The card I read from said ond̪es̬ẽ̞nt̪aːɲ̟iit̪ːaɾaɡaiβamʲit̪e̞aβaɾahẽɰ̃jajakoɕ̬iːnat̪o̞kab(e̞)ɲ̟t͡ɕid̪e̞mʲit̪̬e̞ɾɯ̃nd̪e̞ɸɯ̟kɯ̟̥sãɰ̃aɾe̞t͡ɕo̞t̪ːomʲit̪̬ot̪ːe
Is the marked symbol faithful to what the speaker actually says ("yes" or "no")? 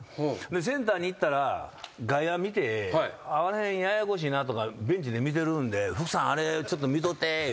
no